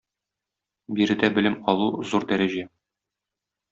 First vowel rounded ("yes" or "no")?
no